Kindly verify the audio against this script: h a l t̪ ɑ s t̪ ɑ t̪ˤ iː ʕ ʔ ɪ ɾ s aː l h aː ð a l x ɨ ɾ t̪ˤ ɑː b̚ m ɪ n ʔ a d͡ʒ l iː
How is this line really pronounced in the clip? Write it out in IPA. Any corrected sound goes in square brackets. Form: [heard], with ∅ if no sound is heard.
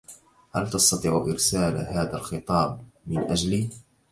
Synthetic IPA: h a l t̪ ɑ s t̪ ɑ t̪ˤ iː ʕ ʔ ɪ ɾ s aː l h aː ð a l x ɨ [∅] t̪ˤ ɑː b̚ m ɪ n ʔ a d͡ʒ l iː